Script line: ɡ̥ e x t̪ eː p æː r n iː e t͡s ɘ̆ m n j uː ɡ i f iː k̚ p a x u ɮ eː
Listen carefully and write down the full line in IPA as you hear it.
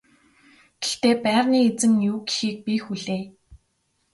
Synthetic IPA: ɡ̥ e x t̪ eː p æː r n iː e t͡s ɘ̆ m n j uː ɡ i x iː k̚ p i x u ɮ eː

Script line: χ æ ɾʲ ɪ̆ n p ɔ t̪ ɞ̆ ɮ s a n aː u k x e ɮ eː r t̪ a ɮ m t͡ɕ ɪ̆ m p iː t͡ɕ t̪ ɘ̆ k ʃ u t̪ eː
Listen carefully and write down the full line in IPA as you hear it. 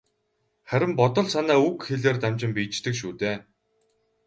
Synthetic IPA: χ æ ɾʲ ɪ̆ m p ɔ t̪ ɞ̆ ɮ s a n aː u k x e ɮ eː r t̪ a m t͡ɕ ɪ̆ m p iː t͡ɕ t̪ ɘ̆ k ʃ uː t̪ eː

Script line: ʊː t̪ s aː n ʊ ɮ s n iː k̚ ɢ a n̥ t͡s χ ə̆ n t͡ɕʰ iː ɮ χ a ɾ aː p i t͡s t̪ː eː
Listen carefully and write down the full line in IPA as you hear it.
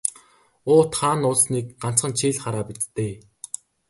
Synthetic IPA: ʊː t̪ χ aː n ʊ ɮ s n iː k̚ ɢ a n̥ t͡s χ ə̆ n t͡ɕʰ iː ɮ χ a ɾ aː p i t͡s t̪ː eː

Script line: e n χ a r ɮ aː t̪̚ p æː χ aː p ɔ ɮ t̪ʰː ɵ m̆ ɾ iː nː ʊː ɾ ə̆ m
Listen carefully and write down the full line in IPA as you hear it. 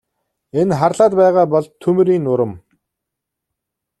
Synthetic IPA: e n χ a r ɮ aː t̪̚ p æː ʁ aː p ɔ ɮ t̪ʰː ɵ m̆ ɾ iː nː ʊ ɾ ə̆ m

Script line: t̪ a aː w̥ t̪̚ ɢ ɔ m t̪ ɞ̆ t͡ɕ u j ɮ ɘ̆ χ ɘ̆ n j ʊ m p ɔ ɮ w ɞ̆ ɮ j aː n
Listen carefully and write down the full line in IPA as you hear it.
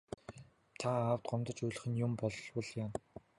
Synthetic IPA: t̪ʰ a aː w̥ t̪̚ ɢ ɔ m t̪ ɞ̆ t͡ɕ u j ɮ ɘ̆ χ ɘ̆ n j ʊ m p ɔ ɮ w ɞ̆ ɮ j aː n

